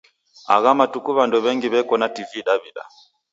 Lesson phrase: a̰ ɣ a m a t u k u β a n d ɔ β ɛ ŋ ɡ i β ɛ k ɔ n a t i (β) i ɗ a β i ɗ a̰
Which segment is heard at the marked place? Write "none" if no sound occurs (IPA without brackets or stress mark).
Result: v